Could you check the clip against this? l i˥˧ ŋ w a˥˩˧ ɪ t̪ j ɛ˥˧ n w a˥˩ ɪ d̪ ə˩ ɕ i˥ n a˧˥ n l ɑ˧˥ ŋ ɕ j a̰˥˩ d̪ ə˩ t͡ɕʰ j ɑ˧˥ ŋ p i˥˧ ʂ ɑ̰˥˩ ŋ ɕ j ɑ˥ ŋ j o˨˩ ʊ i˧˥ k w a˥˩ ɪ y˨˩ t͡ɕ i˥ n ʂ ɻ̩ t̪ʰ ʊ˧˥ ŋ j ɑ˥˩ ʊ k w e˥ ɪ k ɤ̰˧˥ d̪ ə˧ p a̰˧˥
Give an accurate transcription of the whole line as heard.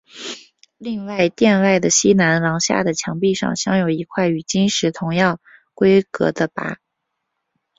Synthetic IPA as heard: l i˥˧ ŋ w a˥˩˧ ɪ t̪ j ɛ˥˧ n w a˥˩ ɪ d̪ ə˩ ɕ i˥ n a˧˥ n l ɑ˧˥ ŋ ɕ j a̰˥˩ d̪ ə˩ t͡ɕʰ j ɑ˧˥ ŋ p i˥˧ ʂ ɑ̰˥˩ ŋ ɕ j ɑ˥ ŋ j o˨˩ ʊ i˧˥ kʰ w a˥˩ ɪ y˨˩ t͡ɕ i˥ n ʂ ɻ̩ t̪ʰ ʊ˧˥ ŋ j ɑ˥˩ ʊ k w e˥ ɪ k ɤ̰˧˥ d̪ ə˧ p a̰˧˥